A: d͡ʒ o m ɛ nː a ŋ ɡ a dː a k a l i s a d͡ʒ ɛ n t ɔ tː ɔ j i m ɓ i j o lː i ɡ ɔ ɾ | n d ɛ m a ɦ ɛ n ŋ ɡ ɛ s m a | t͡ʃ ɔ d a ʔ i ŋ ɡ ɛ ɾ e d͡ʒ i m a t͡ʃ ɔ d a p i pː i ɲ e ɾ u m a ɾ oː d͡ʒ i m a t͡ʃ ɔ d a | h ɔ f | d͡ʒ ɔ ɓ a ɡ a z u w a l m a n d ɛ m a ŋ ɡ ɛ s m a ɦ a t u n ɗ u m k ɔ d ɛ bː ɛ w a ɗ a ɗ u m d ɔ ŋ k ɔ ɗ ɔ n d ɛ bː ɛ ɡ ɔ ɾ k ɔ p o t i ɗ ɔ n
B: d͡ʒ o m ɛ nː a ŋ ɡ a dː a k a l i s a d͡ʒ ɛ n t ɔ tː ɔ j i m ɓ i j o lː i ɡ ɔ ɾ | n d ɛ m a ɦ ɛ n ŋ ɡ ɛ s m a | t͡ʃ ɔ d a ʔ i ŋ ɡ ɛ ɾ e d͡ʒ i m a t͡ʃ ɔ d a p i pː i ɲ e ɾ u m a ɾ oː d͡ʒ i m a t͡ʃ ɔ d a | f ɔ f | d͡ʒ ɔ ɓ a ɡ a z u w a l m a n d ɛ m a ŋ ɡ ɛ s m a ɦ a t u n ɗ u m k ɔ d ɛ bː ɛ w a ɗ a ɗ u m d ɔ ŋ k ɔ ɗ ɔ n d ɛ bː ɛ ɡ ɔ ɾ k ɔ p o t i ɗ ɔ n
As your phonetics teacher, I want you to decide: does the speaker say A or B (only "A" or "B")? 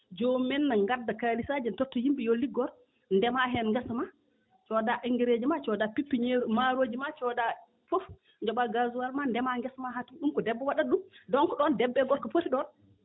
B